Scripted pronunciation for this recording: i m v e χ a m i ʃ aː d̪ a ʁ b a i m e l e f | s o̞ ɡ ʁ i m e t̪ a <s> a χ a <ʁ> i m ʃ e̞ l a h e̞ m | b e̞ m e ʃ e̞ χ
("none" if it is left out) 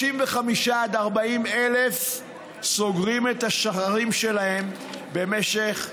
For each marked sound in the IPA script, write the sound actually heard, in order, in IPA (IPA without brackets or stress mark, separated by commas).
ʃ, ʁ